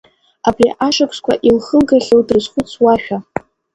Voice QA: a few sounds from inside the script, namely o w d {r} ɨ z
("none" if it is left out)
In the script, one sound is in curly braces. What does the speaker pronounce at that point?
r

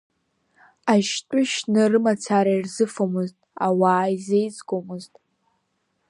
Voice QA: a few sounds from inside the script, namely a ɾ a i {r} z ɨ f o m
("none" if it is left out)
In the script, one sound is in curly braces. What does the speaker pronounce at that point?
r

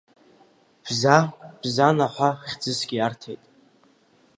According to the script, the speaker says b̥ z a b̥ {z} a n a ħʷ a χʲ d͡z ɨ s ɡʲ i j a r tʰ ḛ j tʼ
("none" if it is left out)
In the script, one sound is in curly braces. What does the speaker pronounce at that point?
z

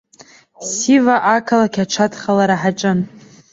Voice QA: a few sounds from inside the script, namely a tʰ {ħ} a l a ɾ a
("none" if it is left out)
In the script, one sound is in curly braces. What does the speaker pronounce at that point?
χ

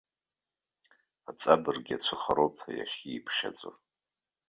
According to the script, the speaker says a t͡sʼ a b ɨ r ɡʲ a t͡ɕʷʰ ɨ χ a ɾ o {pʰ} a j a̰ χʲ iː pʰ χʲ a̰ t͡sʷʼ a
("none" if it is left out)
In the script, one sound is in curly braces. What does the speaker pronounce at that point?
pʰ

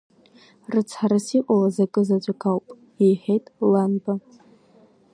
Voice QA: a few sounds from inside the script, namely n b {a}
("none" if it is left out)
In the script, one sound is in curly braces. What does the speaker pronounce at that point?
a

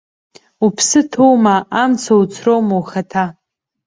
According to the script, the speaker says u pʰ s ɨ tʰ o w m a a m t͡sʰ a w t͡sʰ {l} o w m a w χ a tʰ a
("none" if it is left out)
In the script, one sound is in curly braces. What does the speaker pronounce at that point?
r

